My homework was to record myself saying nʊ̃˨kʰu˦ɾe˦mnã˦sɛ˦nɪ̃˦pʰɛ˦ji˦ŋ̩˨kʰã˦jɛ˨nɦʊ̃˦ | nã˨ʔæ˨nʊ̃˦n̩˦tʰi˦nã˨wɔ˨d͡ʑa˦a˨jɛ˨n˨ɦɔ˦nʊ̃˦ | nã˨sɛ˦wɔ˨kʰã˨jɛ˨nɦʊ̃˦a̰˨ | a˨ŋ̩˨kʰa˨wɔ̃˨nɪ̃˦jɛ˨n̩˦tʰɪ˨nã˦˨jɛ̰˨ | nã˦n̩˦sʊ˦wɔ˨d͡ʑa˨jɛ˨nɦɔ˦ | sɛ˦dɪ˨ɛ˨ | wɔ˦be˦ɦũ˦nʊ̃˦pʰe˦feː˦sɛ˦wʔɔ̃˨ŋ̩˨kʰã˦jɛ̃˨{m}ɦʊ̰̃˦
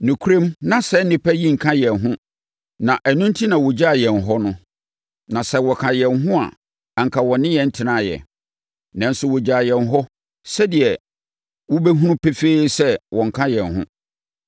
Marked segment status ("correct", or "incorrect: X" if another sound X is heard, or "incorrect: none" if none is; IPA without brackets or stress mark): incorrect: n